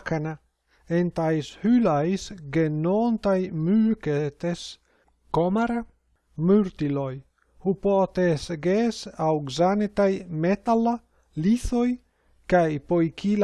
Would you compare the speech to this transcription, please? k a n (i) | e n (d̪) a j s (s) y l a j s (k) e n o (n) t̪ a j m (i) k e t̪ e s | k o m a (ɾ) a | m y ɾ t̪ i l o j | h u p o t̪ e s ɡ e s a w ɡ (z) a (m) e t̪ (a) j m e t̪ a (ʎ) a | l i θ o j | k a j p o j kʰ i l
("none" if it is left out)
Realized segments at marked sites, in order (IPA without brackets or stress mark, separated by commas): a, t̪, h, ɡ, n, y, ɾ, z, n, a, l